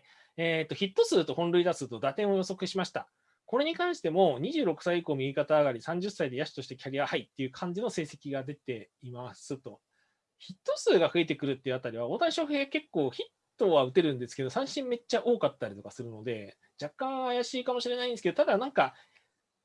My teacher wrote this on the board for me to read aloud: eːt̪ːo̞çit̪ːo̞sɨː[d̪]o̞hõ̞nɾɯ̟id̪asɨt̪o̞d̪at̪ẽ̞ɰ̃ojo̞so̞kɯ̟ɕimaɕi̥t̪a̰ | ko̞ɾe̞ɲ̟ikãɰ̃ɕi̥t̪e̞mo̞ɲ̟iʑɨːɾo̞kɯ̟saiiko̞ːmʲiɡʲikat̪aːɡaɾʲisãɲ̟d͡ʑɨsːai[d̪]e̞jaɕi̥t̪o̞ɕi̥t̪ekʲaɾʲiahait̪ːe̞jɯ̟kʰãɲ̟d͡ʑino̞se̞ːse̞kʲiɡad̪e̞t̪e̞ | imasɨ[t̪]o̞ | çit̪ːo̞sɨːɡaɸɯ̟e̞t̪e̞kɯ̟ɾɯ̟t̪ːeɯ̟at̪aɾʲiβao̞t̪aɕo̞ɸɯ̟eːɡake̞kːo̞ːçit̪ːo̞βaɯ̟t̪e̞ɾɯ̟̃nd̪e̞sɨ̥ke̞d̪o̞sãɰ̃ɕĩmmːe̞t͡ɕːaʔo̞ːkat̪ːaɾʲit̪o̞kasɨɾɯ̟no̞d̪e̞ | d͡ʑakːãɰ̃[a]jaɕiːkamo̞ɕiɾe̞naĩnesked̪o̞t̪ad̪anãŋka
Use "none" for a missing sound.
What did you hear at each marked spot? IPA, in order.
t̪, d̪, t̪, a

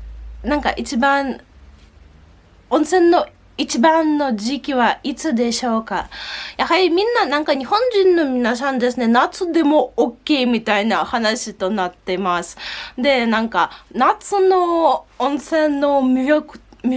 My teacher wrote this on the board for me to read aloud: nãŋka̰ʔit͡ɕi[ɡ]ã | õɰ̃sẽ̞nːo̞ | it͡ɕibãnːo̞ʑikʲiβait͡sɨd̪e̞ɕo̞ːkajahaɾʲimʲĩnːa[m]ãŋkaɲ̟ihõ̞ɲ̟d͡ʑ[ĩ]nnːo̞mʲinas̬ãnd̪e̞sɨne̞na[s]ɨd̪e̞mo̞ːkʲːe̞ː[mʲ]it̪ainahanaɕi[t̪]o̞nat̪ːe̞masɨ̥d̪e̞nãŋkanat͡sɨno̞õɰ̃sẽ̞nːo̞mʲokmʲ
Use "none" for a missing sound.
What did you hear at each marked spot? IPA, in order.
b, n, ĩ, t͡s, mʲ, t̪

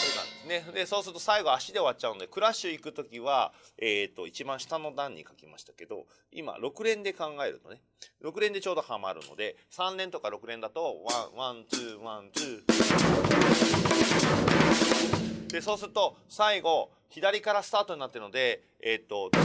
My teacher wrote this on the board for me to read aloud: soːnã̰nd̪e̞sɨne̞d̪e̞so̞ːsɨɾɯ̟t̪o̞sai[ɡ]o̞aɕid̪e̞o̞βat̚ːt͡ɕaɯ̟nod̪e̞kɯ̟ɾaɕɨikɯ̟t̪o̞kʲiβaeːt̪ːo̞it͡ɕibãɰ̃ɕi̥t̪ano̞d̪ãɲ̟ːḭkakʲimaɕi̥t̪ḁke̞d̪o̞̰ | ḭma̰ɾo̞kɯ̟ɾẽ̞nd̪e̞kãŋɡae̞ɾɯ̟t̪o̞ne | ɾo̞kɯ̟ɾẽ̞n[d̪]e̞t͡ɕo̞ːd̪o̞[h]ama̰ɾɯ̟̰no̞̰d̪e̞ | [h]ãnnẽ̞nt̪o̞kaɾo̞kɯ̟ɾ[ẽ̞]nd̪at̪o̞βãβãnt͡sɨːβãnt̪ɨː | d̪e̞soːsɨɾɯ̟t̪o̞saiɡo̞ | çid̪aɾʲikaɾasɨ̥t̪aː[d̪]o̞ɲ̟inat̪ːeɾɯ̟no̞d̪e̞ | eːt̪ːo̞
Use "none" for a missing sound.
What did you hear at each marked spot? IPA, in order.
ɡ, d̪, h, s, ẽ̞, t̪

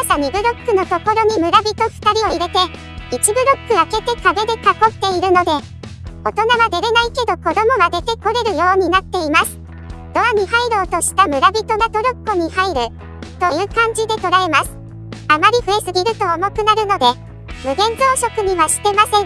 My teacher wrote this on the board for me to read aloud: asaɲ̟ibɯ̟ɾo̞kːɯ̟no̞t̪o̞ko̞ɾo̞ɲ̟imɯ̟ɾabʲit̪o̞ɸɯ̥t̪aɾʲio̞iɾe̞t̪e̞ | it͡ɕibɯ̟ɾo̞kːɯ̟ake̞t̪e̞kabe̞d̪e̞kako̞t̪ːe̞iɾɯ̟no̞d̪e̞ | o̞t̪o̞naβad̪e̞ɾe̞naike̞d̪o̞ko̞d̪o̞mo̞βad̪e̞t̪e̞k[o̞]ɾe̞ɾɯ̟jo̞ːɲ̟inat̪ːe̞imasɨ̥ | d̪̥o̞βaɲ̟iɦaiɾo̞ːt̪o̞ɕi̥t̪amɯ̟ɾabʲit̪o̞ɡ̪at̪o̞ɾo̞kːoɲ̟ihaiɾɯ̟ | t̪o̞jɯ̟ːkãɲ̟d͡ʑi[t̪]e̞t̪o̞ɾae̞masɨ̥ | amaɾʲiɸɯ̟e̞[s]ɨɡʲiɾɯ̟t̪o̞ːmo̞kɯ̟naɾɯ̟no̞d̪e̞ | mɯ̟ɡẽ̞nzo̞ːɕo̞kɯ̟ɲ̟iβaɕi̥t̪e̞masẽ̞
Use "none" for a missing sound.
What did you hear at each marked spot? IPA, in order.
o̞, d̪, s

